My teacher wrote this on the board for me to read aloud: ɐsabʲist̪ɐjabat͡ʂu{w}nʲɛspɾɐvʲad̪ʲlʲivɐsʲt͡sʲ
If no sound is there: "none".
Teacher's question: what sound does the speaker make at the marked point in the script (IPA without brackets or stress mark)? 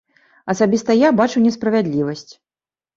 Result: w